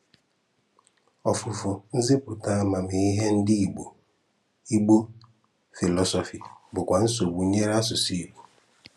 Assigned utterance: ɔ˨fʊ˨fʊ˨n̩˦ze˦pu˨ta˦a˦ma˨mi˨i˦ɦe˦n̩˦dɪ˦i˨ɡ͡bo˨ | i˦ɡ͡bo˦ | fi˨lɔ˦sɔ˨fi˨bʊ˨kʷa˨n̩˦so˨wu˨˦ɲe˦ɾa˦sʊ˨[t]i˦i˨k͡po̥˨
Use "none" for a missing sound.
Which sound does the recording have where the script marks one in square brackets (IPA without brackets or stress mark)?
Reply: s